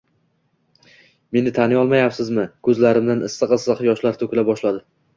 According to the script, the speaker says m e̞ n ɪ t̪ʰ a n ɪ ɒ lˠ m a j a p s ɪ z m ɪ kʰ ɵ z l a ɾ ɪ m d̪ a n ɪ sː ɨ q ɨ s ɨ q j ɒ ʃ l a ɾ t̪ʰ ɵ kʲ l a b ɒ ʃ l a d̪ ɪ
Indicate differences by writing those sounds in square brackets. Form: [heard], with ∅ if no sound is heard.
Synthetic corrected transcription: m e̞ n ɪ t̪ʰ a n ɪ ɒ lˠ m a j a p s ɪ z m ɪ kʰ ɵ z l a ɾ ɪ m d̪ a n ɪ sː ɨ q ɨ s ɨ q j ɒ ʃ l a ɾ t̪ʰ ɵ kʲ l a b ɒ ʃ l a d̪ ɪ